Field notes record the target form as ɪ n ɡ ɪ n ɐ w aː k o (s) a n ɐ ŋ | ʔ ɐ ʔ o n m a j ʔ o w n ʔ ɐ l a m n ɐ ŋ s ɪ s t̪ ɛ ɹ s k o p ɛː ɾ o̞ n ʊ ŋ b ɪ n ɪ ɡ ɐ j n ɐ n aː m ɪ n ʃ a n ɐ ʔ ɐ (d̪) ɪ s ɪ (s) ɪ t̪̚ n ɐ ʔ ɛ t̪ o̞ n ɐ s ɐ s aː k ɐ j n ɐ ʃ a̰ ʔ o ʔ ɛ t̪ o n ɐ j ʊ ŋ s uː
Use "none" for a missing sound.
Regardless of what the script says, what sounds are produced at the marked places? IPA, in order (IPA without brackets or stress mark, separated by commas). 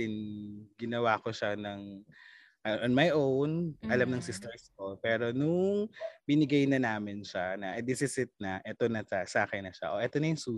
ʃ, d̪, s